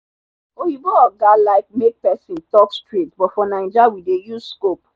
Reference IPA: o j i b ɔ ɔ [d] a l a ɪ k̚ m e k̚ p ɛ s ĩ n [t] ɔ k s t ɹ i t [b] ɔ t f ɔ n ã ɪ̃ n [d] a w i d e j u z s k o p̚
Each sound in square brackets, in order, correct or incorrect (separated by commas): incorrect, correct, correct, incorrect